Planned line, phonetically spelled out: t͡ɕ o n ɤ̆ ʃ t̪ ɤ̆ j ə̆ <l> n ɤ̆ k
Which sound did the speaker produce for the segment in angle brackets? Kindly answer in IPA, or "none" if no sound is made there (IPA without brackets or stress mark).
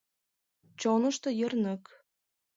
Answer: r